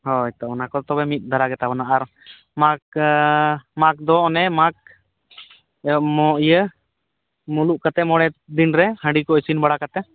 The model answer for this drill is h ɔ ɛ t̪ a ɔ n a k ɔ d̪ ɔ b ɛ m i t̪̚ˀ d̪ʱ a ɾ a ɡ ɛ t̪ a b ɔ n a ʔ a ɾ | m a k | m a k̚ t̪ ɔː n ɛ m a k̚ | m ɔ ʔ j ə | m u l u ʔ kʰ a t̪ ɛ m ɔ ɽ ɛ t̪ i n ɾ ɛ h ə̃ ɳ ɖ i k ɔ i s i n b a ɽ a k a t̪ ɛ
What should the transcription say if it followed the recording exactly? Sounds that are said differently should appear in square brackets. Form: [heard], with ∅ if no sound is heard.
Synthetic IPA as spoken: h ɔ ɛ t̪ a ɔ n a k ɔ [t̪] ɔ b ɛ m i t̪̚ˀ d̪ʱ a ɾ a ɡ ɛ t̪ a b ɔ n a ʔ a ɾ | m a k | m a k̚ [d̪] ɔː n ɛ m a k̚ | m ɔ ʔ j ə | m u l u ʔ [k] a t̪ ɛ m ɔ ɽ ɛ [d̪] i n ɾ ɛ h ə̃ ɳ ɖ i k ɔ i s i n b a ɽ a k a t̪ ɛ